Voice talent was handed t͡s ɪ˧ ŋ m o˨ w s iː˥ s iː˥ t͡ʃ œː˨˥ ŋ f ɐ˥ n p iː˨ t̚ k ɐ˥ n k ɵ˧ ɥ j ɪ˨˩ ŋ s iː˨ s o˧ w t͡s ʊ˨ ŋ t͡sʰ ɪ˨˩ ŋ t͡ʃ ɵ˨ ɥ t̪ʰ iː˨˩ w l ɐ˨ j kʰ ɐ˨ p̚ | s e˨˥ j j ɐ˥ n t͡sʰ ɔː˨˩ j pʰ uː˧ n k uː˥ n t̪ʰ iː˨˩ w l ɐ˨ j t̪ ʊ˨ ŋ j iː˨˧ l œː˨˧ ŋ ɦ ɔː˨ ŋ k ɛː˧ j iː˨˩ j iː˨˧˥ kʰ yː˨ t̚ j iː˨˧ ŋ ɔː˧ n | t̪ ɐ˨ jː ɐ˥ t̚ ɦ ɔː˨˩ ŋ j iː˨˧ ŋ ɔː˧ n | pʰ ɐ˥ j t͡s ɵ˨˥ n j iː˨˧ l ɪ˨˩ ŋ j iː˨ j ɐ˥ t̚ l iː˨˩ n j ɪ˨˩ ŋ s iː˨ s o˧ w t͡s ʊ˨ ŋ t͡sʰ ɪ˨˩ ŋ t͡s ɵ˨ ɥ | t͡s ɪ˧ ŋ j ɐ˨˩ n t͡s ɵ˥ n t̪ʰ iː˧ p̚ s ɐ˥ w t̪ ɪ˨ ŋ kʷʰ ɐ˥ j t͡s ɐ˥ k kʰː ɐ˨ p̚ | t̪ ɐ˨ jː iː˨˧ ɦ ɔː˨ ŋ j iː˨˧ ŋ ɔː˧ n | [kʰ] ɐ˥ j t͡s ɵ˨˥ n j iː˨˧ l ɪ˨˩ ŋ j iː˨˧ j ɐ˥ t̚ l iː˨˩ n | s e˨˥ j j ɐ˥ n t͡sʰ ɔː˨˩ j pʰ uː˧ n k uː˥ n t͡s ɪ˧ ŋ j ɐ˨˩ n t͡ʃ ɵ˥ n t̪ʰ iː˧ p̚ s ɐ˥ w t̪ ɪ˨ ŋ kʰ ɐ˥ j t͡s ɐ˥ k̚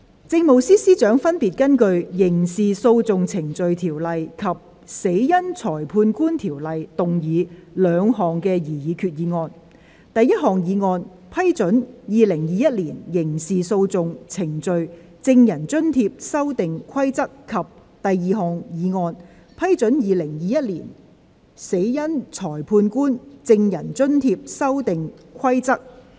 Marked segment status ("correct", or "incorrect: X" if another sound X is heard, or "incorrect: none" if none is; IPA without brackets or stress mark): incorrect: pʰ